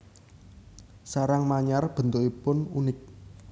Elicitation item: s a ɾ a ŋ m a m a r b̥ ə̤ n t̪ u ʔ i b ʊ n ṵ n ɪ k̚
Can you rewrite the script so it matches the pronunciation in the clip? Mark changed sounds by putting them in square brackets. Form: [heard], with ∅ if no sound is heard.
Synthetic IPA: s a ɾ a ŋ m a [ɲ] a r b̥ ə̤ n t̪ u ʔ i [p] ʊ n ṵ n ɪ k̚

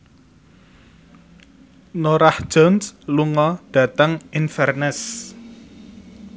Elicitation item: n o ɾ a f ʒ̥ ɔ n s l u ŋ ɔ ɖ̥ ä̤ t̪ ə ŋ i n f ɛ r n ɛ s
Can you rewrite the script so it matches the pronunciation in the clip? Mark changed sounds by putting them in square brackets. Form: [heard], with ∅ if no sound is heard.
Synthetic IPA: n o ɾ a [h] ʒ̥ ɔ n s l u ŋ ɔ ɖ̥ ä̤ t̪ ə ŋ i n f ɛ r n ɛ s

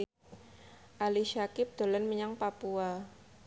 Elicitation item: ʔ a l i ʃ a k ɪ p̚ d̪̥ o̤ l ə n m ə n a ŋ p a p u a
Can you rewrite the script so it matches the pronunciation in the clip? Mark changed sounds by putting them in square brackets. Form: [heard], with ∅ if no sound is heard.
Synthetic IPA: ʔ a l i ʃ a k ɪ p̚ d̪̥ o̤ l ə n m ə [ɲ] a ŋ p a p u a

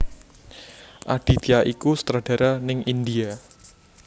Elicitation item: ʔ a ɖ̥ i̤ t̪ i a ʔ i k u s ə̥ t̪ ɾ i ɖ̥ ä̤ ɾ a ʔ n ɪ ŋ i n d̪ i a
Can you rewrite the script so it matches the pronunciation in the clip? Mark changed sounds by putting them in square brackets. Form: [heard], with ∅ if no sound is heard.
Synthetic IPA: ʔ a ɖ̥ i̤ t̪ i a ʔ i k u s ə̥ t̪ ɾ [a] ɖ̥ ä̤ ɾ a [∅] n ɪ ŋ i n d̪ i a

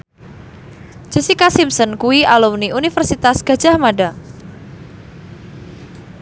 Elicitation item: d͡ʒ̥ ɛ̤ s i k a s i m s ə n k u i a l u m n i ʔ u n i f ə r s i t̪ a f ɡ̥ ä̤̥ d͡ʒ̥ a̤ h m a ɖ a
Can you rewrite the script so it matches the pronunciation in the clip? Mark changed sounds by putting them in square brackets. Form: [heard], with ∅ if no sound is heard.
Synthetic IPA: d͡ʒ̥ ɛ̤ s i k a s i m s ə n k u i a l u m n i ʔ u n i f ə r s i t̪ a [s] ɡ̥ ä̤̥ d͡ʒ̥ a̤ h m a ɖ a

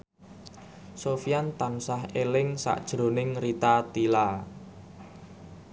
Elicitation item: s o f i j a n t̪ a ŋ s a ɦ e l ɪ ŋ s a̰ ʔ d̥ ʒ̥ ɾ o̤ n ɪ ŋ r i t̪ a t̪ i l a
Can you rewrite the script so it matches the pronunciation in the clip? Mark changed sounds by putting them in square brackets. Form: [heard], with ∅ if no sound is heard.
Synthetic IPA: s o f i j a n t̪ a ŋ s a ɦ e l ɪ ŋ s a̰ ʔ d̥ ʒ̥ ɾ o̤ n ɪ ŋ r i t̪ a t̪ i l a

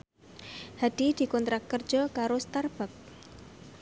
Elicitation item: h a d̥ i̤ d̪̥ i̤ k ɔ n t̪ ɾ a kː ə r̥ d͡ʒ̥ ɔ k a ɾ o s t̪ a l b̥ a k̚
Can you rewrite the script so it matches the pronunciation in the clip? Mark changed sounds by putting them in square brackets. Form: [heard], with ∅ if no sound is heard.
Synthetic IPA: h a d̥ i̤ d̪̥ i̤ k ɔ n t̪ ɾ a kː ə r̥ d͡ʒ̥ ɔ k a ɾ o s t̪ a [r] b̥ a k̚

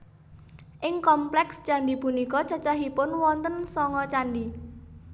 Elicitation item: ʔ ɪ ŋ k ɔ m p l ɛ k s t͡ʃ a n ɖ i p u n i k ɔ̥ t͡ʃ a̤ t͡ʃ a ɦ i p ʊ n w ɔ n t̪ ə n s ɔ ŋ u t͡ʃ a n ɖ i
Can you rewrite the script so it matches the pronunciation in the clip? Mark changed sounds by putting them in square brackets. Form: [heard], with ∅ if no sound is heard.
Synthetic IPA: ʔ ɪ ŋ k ɔ m p l ɛ k s t͡ʃ a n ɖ i p u n i k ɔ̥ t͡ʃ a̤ t͡ʃ a ɦ i p ʊ n w ɔ n t̪ ə n s ɔ ŋ [ɔ] t͡ʃ a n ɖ i

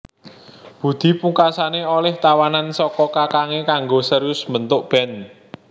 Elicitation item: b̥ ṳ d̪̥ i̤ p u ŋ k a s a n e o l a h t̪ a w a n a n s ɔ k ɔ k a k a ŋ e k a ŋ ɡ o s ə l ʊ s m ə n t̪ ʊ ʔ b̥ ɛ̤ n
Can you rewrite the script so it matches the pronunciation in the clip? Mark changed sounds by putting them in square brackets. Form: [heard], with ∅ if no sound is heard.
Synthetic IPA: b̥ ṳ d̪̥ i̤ p u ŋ k a s a n e o l [ɛ] h t̪ a w a n a n s ɔ k ɔ k a k a ŋ e k a ŋ ɡ o s ə [ɾ] ʊ s m ə n t̪ ʊ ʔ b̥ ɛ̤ n

